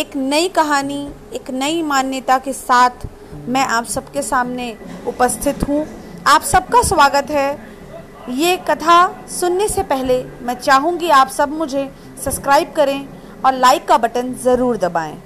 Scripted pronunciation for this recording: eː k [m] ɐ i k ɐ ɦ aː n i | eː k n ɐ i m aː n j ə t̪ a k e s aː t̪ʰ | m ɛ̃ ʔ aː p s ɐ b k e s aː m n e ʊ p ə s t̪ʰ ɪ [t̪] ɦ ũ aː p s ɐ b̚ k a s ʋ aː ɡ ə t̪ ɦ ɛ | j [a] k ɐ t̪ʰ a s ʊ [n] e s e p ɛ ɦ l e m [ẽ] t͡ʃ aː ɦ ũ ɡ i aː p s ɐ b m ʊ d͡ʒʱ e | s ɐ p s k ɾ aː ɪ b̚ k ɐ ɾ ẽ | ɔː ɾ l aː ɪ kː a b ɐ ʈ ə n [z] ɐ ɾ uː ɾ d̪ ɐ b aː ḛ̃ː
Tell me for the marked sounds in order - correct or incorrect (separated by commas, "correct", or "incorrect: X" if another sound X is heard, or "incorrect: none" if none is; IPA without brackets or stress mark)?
incorrect: n, correct, incorrect: e, incorrect: nː, incorrect: ɛ̃, correct